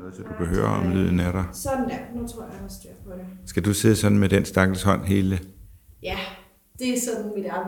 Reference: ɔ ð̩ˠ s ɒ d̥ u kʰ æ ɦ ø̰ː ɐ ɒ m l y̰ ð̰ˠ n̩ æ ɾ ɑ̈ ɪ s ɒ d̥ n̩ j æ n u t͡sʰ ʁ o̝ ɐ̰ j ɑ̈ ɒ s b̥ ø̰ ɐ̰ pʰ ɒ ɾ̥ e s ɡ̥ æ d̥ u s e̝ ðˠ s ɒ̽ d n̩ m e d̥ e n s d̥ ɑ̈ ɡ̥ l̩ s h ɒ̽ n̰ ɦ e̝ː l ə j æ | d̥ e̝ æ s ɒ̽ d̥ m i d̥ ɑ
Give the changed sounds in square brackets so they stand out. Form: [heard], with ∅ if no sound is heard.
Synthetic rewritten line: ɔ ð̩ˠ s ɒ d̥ u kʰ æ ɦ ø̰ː ɐ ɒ m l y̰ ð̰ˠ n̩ æ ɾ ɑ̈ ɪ s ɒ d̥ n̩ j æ n u t͡sʰ ʁ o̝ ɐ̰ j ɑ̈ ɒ s [d̥] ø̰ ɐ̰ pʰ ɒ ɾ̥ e s ɡ̥ æ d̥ u s e̝ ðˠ s ɒ̽ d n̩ m e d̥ e n s d̥ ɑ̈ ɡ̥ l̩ s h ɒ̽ n̰ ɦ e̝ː l ə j æ | d̥ e̝ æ s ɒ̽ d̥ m i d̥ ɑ